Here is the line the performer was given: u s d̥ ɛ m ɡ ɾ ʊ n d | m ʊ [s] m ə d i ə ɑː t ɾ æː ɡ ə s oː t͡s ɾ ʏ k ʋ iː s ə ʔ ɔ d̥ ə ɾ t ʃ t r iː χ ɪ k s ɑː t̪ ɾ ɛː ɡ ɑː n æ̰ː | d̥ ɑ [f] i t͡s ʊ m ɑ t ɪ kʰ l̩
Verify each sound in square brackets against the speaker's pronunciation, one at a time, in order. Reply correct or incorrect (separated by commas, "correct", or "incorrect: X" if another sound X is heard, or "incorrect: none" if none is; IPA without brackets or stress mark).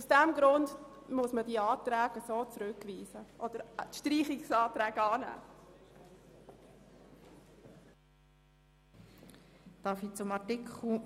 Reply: correct, correct